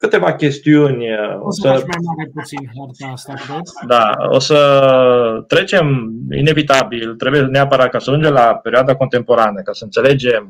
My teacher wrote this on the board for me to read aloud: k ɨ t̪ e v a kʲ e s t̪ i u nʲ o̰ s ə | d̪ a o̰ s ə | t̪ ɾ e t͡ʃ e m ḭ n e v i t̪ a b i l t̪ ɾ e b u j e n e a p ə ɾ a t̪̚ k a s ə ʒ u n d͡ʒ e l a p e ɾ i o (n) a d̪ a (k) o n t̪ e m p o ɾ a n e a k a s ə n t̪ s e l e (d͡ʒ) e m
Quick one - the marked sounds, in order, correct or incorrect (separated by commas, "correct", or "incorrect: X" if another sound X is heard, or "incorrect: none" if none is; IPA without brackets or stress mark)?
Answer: incorrect: none, correct, correct